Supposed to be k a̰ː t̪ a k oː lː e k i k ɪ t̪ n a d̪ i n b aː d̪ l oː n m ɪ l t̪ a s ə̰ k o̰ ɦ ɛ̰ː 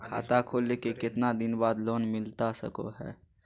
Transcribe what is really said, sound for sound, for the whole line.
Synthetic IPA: kʰ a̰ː t̪ a kʰ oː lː e k e k ɪ t̪ n a d̪ ɪ n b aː d̪ l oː n m ɪ l t̪ a s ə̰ k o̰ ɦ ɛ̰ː